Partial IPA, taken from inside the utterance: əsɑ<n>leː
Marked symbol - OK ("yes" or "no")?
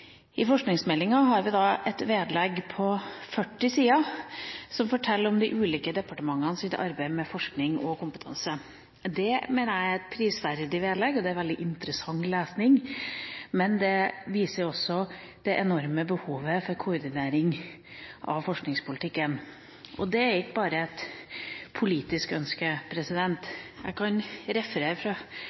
no